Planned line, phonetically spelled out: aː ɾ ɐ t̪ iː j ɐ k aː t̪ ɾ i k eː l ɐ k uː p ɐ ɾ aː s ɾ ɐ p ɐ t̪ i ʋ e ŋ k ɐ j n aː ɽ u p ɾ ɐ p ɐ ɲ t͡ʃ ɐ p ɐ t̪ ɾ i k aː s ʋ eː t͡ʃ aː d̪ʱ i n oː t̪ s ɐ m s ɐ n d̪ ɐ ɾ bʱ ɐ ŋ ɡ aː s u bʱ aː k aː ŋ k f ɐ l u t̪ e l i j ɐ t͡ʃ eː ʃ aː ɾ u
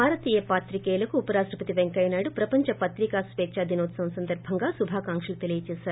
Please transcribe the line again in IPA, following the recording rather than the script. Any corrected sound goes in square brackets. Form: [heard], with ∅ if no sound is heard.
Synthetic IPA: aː ɾ ɐ t̪ iː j ɐ [p] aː t̪ ɾ i k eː l ɐ k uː p ɐ ɾ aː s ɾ ɐ p ɐ t̪ i ʋ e ŋ k ɐ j n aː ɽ u p ɾ ɐ p ɐ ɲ t͡ʃ ɐ p ɐ t̪ ɾ i k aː s ʋ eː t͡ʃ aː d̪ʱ i n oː t̪ s ɐ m s ɐ n d̪ ɐ ɾ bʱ ɐ ŋ ɡ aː s u bʱ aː k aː ŋ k [ʂ] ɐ l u t̪ e l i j ɐ t͡ʃ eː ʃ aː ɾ u